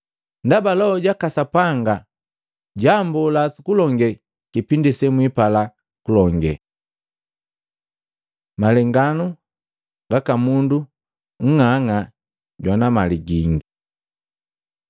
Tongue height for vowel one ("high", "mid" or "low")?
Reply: low